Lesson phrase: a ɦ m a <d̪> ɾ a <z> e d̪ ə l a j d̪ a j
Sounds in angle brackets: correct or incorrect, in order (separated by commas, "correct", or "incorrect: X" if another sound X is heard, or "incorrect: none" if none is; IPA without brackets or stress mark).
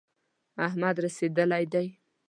correct, incorrect: s